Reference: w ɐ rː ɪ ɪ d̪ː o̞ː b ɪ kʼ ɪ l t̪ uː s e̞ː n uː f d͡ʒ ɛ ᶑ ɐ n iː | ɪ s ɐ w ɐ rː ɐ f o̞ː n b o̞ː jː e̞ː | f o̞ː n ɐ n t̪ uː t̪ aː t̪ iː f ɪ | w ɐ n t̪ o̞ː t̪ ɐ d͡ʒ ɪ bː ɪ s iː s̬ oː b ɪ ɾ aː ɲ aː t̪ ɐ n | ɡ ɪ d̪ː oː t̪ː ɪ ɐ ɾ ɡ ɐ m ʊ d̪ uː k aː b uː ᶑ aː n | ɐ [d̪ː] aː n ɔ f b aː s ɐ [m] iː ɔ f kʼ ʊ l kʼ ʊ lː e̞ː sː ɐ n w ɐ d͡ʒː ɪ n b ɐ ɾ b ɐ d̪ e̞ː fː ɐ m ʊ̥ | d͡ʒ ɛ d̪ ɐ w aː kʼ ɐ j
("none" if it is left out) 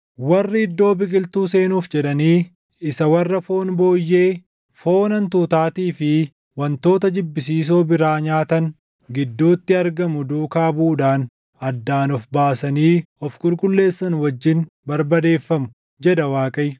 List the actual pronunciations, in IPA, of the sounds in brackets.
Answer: d̪ː, n

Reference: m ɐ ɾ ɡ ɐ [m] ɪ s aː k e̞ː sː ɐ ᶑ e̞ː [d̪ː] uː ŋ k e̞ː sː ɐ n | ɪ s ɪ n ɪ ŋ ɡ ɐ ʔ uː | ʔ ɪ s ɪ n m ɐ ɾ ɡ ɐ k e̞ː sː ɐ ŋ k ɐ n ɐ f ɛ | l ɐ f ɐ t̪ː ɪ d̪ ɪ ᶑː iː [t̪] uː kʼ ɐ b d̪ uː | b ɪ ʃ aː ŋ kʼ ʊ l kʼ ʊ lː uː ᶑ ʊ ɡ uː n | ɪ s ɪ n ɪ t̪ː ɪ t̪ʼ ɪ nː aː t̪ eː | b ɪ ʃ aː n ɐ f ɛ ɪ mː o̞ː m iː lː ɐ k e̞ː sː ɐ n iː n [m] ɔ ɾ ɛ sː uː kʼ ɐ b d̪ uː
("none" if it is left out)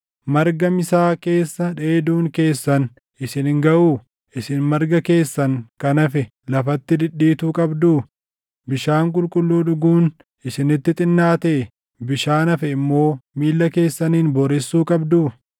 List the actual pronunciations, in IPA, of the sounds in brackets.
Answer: m, d̪, t̪, b

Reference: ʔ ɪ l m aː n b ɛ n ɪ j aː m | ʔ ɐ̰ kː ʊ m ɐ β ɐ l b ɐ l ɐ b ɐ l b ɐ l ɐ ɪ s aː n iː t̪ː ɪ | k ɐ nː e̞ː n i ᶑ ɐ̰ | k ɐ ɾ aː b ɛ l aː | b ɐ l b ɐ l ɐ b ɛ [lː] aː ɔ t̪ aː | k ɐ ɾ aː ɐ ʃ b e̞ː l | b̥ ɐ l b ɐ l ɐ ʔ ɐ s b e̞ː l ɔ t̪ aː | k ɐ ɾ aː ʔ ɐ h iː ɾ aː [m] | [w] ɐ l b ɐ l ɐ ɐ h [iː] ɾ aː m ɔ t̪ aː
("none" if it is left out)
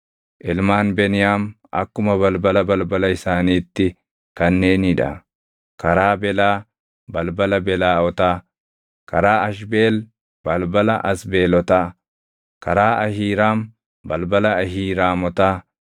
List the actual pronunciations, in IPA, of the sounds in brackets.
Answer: l, m, b, iː

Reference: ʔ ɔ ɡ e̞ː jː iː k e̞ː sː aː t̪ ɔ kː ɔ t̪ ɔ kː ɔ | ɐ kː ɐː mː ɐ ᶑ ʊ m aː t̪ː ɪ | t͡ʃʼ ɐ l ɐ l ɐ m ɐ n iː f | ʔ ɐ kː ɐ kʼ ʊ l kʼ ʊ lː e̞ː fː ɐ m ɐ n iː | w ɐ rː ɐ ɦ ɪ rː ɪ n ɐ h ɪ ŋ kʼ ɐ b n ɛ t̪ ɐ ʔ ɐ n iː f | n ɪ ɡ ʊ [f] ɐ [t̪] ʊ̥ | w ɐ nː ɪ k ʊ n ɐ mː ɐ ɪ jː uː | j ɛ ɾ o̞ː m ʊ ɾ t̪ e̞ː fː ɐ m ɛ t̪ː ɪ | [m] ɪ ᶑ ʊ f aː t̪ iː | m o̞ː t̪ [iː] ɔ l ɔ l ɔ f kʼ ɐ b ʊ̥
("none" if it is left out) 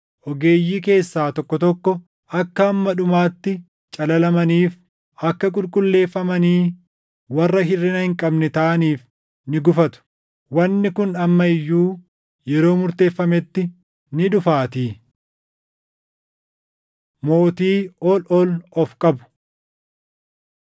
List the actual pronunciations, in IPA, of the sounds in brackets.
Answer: f, t̪, n, iː

